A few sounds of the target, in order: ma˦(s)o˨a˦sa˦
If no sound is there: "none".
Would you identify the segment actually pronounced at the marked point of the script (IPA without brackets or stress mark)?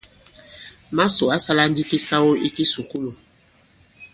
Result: s